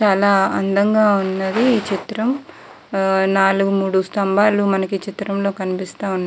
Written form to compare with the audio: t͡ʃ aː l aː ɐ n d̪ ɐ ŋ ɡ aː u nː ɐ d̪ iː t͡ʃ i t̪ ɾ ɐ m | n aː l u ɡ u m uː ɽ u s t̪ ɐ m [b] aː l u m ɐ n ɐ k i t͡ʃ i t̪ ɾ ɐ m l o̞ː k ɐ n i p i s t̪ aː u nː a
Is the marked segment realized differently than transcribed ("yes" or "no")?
no